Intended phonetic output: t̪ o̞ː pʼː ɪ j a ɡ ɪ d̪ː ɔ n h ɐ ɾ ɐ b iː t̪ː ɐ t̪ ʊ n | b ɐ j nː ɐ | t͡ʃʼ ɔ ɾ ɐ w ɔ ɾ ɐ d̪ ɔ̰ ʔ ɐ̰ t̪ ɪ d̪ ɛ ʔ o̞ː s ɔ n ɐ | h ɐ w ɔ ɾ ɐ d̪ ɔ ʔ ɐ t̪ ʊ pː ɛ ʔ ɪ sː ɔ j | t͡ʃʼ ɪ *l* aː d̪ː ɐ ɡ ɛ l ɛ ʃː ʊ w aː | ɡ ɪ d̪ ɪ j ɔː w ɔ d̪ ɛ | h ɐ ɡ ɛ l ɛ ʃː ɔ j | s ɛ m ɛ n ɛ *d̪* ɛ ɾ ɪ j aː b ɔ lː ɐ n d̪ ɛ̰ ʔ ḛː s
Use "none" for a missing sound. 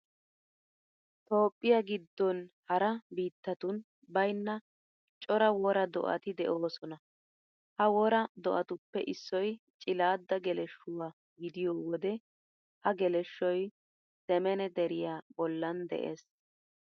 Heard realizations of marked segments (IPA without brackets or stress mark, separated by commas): l, d̪